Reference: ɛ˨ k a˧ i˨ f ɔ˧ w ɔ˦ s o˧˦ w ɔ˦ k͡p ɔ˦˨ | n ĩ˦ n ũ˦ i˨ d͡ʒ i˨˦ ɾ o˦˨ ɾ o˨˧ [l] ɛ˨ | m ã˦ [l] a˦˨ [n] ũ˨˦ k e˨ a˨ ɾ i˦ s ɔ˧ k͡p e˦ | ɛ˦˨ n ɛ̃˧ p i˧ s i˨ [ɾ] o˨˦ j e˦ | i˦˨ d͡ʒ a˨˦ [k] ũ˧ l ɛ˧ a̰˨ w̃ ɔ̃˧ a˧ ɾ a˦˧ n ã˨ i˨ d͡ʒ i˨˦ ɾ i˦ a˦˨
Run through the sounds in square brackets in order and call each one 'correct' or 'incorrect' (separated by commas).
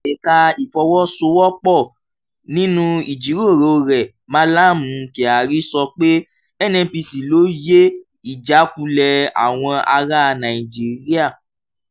incorrect, correct, incorrect, incorrect, correct